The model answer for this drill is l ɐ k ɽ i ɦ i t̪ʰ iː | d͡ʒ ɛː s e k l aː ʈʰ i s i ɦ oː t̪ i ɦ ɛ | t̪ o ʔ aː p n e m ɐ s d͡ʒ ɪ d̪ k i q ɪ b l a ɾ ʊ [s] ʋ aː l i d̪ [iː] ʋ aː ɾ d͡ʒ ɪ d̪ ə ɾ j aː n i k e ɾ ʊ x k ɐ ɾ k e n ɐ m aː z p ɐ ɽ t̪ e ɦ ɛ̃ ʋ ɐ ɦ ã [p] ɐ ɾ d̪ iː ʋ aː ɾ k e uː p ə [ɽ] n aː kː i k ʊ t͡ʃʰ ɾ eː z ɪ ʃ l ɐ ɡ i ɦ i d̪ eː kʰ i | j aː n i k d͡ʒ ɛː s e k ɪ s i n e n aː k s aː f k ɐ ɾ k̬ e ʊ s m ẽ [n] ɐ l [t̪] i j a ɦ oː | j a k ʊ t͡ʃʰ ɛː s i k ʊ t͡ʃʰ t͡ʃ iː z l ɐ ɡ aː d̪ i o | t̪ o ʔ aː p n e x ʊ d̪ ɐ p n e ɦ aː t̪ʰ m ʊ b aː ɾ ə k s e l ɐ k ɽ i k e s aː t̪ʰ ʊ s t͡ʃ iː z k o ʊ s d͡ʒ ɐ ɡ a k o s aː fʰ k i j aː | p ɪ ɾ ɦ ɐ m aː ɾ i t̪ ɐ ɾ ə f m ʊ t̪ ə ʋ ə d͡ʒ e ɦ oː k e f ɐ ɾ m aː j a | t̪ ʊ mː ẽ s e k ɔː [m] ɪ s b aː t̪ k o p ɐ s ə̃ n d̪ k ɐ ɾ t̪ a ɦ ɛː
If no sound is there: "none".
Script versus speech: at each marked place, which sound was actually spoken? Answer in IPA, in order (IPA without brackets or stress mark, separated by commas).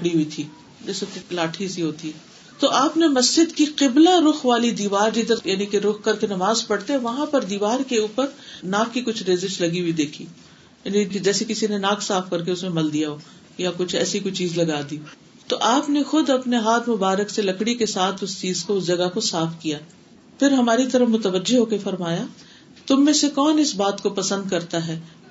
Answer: x, iː, p, ɾ, m, d̪, n